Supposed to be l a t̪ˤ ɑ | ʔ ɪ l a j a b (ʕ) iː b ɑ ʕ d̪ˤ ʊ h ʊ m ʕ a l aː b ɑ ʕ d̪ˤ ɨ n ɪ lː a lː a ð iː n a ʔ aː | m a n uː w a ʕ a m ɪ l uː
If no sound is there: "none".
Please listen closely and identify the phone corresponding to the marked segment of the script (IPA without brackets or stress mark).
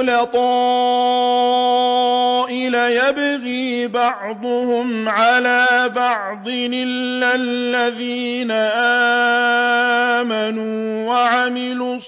ɣ